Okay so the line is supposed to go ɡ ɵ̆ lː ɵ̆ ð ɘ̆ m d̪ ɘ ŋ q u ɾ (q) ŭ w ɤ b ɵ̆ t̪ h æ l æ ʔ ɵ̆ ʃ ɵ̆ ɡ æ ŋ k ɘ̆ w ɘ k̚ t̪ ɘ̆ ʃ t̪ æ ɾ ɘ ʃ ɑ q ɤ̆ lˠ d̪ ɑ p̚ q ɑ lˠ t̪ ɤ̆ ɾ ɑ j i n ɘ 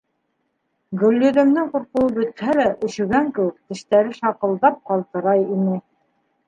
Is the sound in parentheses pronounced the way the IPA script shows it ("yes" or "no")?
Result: yes